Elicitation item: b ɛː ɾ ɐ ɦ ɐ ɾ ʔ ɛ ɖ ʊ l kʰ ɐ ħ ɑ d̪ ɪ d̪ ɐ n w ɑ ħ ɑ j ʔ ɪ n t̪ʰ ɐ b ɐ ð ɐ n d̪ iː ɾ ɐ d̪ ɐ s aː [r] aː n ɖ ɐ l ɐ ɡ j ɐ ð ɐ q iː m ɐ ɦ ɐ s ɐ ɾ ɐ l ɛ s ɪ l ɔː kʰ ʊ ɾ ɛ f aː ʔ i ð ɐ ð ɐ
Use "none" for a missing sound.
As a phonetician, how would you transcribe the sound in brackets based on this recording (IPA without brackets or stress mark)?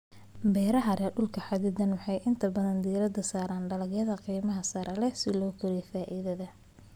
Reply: ɾ